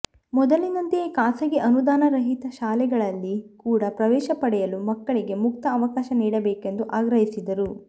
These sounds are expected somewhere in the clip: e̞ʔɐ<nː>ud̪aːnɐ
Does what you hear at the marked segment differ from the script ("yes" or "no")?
yes